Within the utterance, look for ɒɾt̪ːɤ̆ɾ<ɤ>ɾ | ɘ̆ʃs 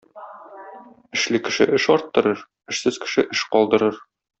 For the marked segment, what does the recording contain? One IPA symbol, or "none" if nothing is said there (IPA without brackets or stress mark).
ɤ